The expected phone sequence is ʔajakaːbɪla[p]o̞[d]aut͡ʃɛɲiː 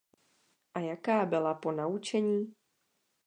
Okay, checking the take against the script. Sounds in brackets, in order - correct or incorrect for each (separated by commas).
correct, incorrect